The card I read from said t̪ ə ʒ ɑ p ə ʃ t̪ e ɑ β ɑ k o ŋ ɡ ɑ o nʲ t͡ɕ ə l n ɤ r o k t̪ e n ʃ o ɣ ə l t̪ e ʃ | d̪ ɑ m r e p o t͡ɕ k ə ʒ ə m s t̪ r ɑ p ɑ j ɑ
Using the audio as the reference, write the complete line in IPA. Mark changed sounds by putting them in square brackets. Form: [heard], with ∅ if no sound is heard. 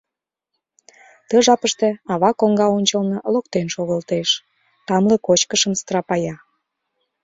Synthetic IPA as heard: t̪ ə ʒ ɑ p ə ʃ t̪ e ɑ β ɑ k o ŋ ɡ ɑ o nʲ t͡ɕ ə l n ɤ [l] o k t̪ e n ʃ o ɣ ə l t̪ e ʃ | [t̪] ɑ m [l] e [k] o t͡ɕ k ə [ʃ] ə m s t̪ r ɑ p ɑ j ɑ